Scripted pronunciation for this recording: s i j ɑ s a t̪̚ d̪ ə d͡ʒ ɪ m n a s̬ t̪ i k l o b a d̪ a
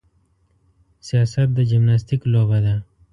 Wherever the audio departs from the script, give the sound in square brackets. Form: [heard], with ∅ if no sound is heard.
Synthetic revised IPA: s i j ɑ s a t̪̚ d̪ ə d͡ʒ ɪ m n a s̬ t̪ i k l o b a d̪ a

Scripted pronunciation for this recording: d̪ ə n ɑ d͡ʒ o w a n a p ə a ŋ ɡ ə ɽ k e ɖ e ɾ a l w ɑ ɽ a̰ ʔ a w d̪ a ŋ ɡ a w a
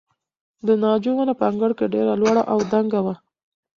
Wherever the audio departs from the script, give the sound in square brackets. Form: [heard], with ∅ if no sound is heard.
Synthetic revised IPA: d̪ ə n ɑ d͡ʒ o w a n a p ə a ŋ ɡ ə ɽ k e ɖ e ɾ a l w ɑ ɽ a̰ ʔ a w d̪ a ŋ ɡ a w a

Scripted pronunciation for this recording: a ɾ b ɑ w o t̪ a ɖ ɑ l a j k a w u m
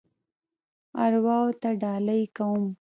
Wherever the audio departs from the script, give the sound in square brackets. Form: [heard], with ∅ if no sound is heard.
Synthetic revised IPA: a ɾ [w] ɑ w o t̪ a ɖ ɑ l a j k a w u m

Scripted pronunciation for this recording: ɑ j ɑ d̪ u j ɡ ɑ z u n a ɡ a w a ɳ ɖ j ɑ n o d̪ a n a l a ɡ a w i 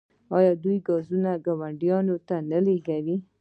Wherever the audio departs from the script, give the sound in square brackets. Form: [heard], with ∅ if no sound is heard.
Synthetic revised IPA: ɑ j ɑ d̪ u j ɡ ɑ z u n a ɡ a w a ɳ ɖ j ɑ n o [t̪] a n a l [e] ɡ a w i

